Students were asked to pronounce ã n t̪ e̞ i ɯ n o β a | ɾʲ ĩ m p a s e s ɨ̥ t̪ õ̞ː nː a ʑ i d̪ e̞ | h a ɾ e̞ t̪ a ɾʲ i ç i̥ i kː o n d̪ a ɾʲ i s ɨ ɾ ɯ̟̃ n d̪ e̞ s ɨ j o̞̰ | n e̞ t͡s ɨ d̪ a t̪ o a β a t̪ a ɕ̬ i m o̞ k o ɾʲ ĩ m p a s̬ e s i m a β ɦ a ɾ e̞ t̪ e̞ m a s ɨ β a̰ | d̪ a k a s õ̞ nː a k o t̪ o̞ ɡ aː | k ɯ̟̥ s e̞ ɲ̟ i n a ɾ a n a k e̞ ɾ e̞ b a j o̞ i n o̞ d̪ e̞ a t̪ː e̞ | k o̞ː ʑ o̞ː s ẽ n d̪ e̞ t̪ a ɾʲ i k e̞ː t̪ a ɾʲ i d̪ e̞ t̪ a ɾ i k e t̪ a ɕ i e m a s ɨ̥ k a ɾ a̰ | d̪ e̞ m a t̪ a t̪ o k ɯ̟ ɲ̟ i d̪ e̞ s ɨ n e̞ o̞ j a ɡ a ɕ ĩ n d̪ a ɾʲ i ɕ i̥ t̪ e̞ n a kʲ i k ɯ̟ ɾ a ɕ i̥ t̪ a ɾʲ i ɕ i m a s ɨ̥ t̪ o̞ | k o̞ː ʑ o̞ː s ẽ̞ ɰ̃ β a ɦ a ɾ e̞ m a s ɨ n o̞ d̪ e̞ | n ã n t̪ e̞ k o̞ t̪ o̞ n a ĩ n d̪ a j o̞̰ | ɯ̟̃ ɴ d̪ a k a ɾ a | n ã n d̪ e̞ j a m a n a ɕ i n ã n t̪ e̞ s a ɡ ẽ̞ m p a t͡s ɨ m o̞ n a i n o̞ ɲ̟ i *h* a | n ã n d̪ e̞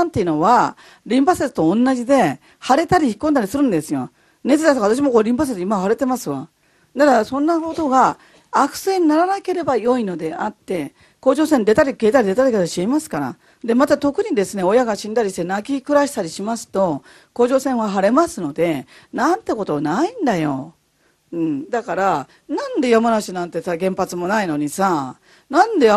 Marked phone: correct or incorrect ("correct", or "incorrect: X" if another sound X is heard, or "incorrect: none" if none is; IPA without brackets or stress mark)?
incorrect: s